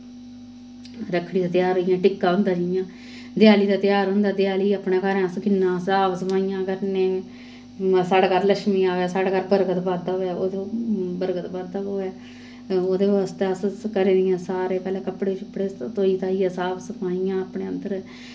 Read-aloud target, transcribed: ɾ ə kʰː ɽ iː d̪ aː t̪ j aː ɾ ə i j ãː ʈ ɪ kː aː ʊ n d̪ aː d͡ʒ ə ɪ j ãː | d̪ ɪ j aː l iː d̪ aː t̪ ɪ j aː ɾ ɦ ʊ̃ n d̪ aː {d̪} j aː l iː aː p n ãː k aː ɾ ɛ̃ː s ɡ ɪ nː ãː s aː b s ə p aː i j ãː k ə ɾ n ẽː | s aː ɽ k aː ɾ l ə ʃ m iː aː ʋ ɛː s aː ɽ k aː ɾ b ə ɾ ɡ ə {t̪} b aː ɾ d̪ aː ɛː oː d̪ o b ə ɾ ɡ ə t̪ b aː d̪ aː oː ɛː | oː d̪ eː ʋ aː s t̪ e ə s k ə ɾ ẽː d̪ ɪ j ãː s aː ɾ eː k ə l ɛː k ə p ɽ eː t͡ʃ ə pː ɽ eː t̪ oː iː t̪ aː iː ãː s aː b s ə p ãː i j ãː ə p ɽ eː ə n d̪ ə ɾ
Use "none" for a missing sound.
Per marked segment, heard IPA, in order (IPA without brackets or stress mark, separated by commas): d̪, t̪